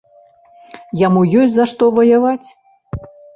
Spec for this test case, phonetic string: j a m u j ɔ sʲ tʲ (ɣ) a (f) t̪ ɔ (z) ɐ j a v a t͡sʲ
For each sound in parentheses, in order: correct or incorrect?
incorrect, incorrect, incorrect

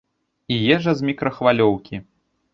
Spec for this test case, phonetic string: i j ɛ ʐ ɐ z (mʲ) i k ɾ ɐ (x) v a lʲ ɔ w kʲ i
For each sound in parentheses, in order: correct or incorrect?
correct, correct

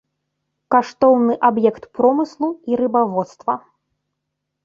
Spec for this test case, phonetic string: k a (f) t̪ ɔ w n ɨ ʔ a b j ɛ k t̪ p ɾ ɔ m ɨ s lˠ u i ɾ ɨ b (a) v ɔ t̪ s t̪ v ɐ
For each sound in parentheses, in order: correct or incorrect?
incorrect, correct

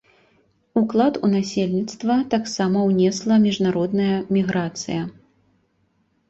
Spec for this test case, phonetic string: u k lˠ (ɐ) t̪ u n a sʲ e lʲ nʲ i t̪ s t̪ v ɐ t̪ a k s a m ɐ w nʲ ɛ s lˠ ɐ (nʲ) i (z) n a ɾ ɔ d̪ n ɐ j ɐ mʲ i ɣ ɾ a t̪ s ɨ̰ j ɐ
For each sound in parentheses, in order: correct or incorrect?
incorrect, incorrect, incorrect

